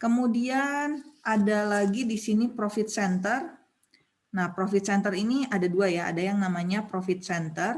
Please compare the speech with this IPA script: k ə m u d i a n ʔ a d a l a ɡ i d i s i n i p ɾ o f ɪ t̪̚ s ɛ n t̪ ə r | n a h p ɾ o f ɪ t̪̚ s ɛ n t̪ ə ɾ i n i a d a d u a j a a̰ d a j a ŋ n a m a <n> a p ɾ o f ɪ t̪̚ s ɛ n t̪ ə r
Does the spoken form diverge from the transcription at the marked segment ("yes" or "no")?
yes